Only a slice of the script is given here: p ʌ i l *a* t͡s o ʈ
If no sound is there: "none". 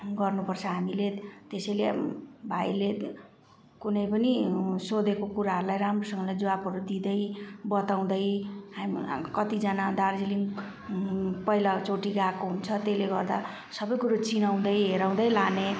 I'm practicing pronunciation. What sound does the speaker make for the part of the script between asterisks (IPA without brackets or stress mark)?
a